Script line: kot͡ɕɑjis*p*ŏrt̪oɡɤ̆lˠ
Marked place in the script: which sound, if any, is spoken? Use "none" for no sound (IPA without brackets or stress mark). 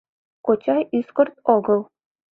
k